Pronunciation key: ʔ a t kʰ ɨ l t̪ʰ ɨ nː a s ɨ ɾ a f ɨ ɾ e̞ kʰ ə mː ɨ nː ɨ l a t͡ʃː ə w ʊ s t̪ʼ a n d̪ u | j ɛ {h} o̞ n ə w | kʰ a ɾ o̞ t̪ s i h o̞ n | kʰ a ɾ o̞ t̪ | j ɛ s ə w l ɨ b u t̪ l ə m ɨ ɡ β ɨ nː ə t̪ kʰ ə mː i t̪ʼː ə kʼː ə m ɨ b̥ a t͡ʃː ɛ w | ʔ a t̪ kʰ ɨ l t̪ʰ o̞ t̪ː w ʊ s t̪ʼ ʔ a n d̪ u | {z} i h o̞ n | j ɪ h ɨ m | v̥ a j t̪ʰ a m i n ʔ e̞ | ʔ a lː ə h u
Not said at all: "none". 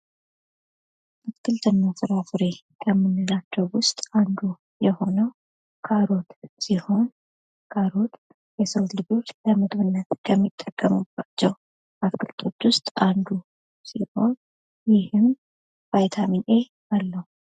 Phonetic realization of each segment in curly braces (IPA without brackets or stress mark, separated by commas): h, s